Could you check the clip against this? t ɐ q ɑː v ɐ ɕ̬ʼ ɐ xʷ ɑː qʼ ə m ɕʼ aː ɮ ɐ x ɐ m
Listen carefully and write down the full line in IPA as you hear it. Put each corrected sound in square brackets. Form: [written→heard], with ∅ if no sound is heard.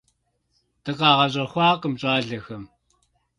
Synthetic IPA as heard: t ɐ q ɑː [v→ʁ] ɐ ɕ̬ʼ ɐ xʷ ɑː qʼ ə m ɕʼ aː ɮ ɐ x ɐ m